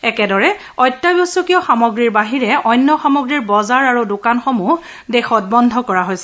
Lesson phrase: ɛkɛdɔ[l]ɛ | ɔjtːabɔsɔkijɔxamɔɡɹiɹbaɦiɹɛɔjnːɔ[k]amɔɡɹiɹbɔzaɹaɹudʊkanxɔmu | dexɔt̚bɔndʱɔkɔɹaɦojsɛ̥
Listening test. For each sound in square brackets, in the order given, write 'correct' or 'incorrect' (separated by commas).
incorrect, incorrect